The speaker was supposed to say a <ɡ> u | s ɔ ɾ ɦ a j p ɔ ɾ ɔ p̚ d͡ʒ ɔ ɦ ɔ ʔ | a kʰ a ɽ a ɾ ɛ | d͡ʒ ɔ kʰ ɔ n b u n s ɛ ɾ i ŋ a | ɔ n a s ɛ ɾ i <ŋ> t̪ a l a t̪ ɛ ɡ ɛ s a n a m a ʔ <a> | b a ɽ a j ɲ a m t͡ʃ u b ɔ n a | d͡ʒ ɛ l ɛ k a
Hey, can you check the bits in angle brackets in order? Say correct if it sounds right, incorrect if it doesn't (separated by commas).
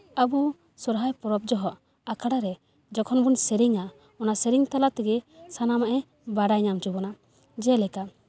incorrect, correct, incorrect